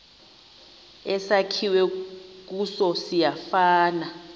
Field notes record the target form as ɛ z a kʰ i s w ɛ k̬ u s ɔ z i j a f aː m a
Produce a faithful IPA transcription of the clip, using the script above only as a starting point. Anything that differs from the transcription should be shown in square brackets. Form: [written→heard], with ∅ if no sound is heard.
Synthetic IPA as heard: ɛ [z→s] a kʰ i [s→∅] w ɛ k̬ u s ɔ [z→s] i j a f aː [m→n] a